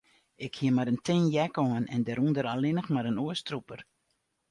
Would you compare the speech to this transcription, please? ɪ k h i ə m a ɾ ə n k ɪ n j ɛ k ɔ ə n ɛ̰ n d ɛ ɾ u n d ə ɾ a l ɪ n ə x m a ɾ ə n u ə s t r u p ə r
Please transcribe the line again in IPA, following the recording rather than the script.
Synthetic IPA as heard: ɪ k h i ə m a ɾ ə n t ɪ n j ɛ k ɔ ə n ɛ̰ n d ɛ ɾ u n d ə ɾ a l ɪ n ə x m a ɾ ə n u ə s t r u p ə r